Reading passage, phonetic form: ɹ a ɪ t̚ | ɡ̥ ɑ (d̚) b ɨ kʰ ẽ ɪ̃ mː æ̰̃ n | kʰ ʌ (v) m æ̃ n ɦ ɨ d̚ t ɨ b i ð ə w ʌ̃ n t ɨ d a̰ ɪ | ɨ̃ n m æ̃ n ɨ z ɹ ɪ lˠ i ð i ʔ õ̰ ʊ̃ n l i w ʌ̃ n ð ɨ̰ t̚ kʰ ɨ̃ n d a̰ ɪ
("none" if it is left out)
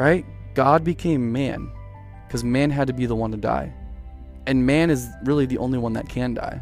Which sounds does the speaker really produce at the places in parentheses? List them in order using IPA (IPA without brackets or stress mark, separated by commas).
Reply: d̚, z